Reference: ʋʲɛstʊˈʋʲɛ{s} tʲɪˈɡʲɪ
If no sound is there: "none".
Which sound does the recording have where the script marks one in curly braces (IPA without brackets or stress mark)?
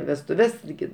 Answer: s